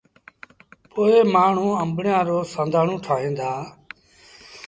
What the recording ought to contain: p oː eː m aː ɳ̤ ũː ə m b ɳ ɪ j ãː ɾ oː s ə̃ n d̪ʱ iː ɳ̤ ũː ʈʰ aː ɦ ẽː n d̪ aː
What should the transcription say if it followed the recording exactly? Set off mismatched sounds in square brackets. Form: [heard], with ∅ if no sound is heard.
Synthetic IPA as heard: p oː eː m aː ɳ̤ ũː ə m b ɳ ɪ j ãː ɾ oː s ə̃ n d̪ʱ [aː] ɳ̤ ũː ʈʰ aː ɦ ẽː n d̪ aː